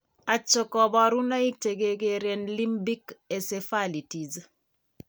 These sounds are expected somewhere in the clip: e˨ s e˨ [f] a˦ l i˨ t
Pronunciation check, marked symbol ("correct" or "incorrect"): correct